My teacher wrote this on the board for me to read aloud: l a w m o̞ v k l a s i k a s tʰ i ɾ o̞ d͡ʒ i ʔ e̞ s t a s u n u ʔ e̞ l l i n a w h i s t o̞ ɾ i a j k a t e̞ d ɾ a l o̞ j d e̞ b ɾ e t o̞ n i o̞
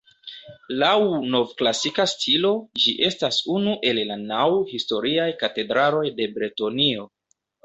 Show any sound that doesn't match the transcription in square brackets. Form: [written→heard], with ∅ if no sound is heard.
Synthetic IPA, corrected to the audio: l a w [m→n] o̞ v k l a s i k a s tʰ i [ɾ→l] o̞ d͡ʒ i ʔ e̞ s t a s u n u ʔ e̞ l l [i→a] n a w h i s t o̞ ɾ i a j k a t e̞ d ɾ a l o̞ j d e̞ b ɾ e t o̞ n i o̞